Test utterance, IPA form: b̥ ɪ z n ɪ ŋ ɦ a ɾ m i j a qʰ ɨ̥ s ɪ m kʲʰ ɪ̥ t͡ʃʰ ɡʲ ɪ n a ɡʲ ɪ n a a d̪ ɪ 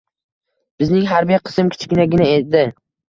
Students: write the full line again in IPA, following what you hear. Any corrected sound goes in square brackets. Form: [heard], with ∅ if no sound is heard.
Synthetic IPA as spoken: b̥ ɪ z n ɪ ŋ ɦ a ɾ [b] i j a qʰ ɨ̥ s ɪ m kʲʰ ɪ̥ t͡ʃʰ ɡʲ ɪ n a ɡʲ ɪ n a [e] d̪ ɪ